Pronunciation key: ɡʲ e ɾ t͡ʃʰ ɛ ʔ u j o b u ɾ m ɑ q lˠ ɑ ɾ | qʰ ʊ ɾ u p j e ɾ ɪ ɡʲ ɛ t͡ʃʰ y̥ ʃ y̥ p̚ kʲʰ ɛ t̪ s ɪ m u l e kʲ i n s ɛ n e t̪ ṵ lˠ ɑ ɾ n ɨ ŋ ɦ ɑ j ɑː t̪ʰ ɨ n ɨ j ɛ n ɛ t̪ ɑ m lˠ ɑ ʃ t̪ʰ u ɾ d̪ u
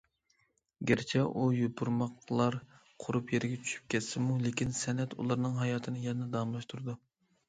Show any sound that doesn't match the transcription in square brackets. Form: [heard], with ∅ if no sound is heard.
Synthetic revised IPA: ɡʲ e ɾ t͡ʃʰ ɛ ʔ u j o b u ɾ m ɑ q lˠ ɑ ɾ | qʰ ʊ ɾ u p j e ɾ ɪ ɡʲ ɛ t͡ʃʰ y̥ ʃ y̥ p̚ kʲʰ ɛ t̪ s ɪ m u l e kʲ i n s ɛ n [ɛ] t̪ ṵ lˠ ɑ ɾ n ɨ ŋ ɦ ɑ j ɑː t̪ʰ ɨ n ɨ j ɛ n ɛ [d̪] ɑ m lˠ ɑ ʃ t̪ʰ u ɾ d̪ u